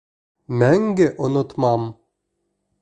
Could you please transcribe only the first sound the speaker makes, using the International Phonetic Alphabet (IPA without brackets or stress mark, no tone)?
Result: m